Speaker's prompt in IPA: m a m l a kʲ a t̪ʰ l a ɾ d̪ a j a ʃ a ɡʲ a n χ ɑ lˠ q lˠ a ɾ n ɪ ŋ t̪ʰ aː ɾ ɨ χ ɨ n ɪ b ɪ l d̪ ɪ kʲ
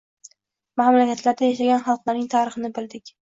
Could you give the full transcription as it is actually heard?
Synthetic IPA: m a m l a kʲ a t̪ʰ l a ɾ d̪ a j a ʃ a ɡʲ a n χ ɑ lˠ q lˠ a ɾ n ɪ ŋ t̪ʰ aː ɾ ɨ χ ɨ n ɪ b ɪ l d̪ ɪ kʲ